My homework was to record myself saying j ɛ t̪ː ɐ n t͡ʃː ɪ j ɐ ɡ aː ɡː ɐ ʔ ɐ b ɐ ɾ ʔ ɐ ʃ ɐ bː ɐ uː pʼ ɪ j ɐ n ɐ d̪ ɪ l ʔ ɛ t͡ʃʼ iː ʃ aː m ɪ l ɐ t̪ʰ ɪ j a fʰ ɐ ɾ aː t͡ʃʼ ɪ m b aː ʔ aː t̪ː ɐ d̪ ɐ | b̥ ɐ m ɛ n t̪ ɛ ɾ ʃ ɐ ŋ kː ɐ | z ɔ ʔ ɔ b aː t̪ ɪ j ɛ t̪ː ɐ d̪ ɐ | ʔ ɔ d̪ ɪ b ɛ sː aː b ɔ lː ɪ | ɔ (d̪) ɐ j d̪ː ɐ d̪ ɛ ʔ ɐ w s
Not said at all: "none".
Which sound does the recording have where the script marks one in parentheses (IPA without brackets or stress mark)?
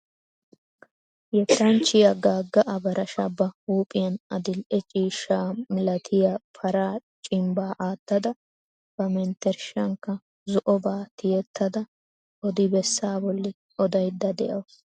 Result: d̪